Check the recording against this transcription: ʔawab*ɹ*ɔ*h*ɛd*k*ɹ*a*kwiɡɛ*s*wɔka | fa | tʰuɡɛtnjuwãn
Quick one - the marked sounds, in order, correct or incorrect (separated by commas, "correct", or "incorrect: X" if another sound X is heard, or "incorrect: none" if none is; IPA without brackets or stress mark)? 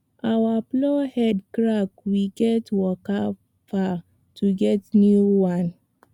incorrect: l, correct, correct, correct, incorrect: t